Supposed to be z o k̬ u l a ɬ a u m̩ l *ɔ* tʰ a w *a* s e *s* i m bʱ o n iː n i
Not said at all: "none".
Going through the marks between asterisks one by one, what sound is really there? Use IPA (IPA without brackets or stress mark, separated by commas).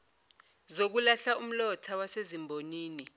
ɔ, a, z